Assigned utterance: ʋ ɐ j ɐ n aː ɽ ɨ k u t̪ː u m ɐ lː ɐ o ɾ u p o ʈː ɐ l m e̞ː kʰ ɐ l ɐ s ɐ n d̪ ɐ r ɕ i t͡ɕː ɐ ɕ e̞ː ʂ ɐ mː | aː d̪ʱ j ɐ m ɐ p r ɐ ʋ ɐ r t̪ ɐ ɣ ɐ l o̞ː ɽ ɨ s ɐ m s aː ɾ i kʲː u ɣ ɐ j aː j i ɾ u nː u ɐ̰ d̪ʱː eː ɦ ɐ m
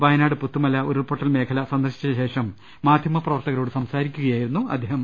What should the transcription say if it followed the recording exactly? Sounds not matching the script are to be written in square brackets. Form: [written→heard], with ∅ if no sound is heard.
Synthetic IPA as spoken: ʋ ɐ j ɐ n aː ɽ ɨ [k→p] u t̪ː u m ɐ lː ɐ o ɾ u p o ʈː ɐ l m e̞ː kʰ ɐ l ɐ s ɐ n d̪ ɐ r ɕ i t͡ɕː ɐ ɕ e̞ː ʂ ɐ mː | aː d̪ʱ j ɐ m ɐ p r ɐ ʋ ɐ r t̪ ɐ ɣ ɐ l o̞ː ɽ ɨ s ɐ m s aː ɾ i kʲː u ɣ ɐ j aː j i ɾ u nː u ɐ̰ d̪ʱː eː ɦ ɐ m